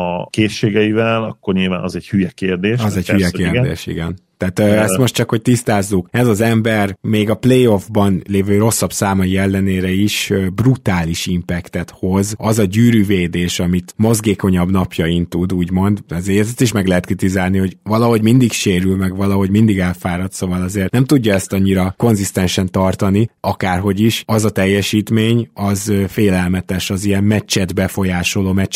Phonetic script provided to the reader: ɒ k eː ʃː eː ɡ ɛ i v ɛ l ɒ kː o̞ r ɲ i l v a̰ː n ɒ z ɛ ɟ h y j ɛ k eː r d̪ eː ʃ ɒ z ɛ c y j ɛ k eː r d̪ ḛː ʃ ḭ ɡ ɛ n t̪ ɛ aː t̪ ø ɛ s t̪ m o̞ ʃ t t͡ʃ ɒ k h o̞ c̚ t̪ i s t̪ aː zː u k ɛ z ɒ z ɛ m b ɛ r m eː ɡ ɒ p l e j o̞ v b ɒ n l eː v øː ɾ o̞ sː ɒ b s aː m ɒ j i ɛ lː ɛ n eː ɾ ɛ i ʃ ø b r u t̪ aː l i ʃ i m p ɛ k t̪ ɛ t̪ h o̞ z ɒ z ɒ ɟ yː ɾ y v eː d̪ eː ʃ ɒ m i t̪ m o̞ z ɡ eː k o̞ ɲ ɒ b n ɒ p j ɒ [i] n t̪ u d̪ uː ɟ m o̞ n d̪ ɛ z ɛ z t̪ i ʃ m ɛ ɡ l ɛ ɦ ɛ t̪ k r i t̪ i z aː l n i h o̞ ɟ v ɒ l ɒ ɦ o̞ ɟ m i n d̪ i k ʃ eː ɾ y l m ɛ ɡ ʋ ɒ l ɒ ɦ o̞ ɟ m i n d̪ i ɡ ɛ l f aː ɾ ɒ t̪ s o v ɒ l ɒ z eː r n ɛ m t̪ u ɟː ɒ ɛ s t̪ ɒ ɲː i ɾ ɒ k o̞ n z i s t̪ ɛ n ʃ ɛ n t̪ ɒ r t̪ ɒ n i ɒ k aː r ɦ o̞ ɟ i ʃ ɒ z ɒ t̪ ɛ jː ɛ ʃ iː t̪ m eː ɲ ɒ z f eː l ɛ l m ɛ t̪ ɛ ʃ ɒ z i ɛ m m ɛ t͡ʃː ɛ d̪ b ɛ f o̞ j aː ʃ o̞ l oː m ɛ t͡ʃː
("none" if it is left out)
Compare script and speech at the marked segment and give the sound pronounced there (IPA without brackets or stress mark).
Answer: i